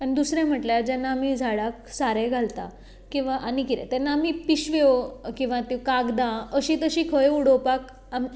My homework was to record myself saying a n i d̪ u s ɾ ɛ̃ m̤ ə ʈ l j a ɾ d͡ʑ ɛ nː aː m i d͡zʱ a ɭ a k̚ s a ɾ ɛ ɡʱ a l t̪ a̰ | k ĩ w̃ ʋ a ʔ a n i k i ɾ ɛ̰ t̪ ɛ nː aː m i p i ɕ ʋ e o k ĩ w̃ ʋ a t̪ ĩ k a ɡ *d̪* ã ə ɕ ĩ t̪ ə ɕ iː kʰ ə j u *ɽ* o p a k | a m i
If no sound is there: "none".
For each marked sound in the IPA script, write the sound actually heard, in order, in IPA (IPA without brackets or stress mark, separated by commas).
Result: d̪, ɽ